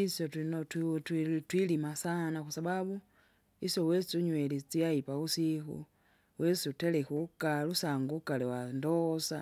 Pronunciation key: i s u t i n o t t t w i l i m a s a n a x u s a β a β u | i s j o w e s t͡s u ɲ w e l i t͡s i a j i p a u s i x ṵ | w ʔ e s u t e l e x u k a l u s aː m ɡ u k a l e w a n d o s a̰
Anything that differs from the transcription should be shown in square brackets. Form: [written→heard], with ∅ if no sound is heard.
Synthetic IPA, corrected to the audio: i s [u→o] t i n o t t t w i l i m a s a n a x u s a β a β u | i s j o w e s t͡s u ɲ w e l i t͡s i a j i p a u s i x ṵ | w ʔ e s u t e l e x u k a l u s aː [m→ŋ] ɡ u k a l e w a n d o s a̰